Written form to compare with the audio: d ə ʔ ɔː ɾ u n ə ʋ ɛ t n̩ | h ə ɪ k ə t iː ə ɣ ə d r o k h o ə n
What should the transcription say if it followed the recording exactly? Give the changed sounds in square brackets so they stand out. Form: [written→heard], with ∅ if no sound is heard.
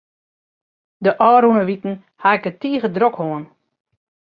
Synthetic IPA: d ə ʔ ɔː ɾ u n ə ʋ [ɛ→i] t n̩ | h [ə→a] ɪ k ə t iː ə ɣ ə d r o k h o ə n